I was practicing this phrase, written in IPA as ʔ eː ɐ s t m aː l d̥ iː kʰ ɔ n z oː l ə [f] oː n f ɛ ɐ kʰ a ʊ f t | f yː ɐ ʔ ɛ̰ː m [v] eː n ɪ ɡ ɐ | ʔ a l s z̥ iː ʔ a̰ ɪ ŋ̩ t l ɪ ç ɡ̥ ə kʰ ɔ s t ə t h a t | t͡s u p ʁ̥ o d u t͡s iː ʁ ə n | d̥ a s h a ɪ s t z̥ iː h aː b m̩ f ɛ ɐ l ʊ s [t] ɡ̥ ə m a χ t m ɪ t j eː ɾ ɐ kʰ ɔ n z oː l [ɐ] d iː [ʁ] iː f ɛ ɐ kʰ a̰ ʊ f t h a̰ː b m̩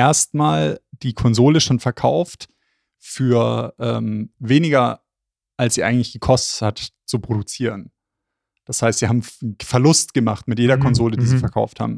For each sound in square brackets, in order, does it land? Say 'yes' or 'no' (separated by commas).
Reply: no, yes, yes, no, no